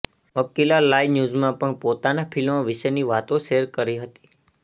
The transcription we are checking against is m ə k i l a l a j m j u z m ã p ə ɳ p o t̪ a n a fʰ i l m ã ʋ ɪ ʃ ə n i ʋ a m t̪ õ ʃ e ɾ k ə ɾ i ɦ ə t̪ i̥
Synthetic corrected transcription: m ə k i l a l a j n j u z m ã p ə ɳ p o t̪ a n a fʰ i l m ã ʋ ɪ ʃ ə n i ʋ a t̪ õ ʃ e ɾ k ə ɾ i ɦ ə t̪ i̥